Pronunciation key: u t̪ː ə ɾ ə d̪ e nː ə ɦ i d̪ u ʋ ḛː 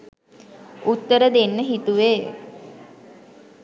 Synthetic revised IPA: u t̪ː ə ɾ ə d̪ e nː ə ɦ i t̪ u ʋ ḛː